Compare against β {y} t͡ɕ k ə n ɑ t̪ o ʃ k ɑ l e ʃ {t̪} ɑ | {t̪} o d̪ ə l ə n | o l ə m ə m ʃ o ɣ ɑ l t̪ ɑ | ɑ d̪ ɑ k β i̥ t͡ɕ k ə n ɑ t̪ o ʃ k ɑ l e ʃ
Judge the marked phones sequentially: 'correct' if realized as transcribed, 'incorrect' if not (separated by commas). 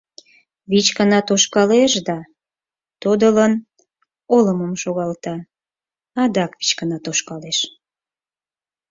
incorrect, incorrect, correct